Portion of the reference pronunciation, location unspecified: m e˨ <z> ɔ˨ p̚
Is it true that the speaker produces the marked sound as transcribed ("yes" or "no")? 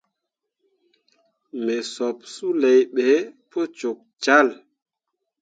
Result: no